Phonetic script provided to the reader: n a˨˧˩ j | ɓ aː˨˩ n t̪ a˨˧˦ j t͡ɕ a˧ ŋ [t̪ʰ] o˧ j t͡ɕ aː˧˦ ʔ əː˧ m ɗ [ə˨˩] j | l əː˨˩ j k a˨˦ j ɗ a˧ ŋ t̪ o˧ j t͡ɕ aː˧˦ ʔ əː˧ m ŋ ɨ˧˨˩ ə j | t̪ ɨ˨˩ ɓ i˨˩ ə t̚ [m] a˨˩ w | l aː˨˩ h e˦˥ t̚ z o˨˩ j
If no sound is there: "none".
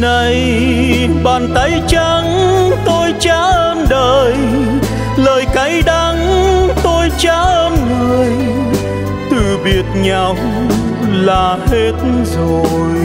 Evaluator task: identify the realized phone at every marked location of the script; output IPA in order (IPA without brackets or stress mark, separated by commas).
t̪, əː˨˩, ɲ